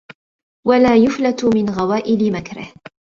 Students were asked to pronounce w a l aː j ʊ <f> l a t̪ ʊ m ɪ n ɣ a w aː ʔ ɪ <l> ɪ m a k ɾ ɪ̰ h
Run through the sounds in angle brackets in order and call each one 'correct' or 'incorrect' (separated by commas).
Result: correct, correct